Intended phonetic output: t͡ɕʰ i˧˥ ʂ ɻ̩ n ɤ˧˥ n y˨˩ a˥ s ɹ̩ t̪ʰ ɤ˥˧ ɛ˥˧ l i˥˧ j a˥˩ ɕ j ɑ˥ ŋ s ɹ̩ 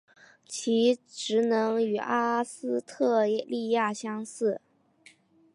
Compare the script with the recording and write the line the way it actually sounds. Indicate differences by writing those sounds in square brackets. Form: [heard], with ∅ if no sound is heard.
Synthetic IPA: t͡ɕʰ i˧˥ [ʈ͡ʂ] ɻ̩ n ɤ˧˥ [ŋ] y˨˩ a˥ s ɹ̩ t̪ʰ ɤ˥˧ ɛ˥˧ l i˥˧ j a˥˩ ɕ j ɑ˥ ŋ s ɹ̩